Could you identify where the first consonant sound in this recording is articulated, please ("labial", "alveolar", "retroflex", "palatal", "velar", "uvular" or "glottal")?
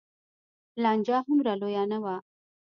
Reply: alveolar